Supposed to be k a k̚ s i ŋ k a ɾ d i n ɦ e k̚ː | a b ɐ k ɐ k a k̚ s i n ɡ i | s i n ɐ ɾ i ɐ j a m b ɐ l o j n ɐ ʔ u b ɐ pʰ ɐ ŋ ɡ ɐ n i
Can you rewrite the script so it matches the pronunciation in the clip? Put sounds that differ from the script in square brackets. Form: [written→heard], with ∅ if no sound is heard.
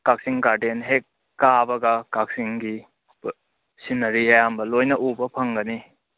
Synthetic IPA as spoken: k a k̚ s i ŋ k a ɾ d [i→e] n ɦ e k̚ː | a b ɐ [k→ɡ] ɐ k a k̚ s i [n→ŋ] ɡ i | s i n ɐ ɾ i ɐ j a m b ɐ l o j n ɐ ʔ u b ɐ pʰ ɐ ŋ ɡ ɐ n i